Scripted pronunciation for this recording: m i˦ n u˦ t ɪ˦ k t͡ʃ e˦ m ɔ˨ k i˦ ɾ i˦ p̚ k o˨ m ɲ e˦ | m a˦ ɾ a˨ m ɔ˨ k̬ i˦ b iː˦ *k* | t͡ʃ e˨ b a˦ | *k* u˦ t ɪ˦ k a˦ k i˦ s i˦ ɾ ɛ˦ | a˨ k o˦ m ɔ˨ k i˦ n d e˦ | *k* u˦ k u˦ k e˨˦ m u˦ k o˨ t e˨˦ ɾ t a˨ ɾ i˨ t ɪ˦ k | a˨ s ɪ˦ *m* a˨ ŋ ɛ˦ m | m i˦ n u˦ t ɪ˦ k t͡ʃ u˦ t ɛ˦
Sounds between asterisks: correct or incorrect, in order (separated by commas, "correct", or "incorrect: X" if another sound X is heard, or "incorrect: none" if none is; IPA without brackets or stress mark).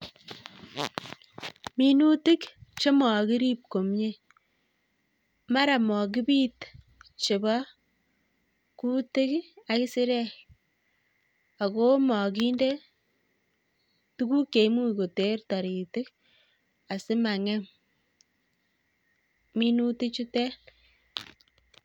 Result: incorrect: t, correct, incorrect: t, correct